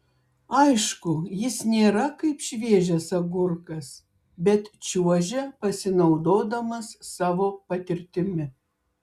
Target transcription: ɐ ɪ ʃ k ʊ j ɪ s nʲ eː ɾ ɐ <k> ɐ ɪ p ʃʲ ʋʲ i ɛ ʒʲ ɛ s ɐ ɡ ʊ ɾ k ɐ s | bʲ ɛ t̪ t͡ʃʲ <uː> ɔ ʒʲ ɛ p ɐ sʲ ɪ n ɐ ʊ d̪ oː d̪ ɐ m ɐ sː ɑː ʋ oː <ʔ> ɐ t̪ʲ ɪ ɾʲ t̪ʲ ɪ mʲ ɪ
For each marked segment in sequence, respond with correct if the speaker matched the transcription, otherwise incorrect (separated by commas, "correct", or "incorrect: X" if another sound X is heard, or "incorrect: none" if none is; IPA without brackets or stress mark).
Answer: correct, incorrect: u, incorrect: p